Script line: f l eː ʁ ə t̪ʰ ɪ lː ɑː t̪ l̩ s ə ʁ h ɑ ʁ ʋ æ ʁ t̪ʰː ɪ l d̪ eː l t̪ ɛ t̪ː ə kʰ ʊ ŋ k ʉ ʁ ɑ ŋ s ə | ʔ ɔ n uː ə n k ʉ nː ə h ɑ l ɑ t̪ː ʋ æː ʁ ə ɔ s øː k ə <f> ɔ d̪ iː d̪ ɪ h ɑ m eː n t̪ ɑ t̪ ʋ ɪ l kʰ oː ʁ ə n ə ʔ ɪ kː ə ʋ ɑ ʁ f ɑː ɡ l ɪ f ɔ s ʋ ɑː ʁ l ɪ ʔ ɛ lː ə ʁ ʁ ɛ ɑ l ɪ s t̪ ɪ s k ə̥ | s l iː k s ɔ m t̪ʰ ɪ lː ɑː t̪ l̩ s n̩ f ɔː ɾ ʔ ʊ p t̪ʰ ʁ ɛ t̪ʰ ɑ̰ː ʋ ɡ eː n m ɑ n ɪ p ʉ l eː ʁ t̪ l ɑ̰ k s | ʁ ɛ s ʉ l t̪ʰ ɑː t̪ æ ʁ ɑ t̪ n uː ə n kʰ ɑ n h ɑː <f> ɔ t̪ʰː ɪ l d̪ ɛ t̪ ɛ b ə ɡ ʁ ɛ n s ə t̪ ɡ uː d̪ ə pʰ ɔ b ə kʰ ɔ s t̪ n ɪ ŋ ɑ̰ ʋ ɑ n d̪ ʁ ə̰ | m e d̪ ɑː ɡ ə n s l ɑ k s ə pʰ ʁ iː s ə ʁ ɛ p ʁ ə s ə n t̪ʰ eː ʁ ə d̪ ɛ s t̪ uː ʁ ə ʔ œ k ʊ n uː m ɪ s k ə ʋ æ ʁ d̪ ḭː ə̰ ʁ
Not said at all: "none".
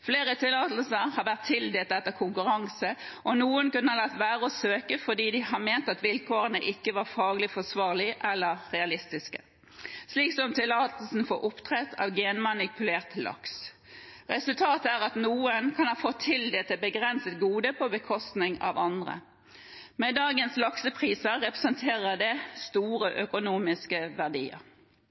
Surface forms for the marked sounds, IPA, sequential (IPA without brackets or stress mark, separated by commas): f, f